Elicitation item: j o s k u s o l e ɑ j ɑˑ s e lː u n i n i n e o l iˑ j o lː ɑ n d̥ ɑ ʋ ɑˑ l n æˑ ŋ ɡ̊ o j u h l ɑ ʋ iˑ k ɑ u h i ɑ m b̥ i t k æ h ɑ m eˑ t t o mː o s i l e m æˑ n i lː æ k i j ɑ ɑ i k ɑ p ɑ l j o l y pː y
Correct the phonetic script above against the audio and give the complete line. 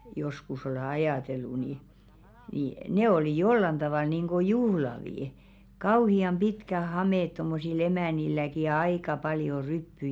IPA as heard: j o s k u s o l e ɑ j ɑˑ t e lː u n i n i n e o l iˑ j o lː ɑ n d̥ ɑ ʋ ɑˑ l n iˑ ŋ ɡ̊ o j u h l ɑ ʋ iˑ k ɑ u h i ɑ m b̥ i t k æ h ɑ m eˑ t t o mː o s i l e m æˑ n i lː æ k i j ɑ ɑ i k ɑ p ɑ l j o r y pː y

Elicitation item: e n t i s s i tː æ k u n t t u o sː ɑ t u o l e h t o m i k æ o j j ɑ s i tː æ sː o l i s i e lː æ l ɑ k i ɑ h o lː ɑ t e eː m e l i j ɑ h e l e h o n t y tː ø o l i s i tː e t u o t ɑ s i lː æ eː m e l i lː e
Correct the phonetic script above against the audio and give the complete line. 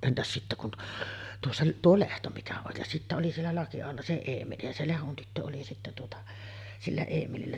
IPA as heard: e n t æ s s i tː æ k u n t t u o sː ɑ t u o l e h t o m i k æ o j j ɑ s i tː æ o l i s i e lː æ l ɑ k i ɑ h o lː ɑ s e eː m e l i j ɑ s e l e h o n t y tː ø o l i s i tː æ t u o t ɑ s i lː æ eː m e l i lː æ

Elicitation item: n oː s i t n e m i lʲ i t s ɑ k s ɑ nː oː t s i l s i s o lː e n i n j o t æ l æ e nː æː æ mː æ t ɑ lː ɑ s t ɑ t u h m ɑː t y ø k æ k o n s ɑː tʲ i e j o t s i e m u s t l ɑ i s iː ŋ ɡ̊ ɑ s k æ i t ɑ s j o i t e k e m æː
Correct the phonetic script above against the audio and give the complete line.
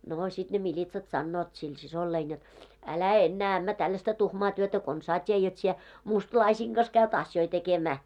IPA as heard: n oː s i t n e m i lʲ i t s ɑ t s ɑ nː oː t s i l s i s o lː e i n j o t æ l æ e nː æː æ mː æ t ɑ lː ɑ s t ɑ t u h m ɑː t y ø t æ k o n s ɑː tʲ i e j o t s i e m u s t l ɑ i s iː ŋ ɡ̊ ɑ s k æ y t ɑ s j o i t e k e m æː

